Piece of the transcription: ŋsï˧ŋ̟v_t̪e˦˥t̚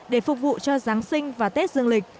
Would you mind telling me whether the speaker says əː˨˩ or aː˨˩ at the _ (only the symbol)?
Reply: aː˨˩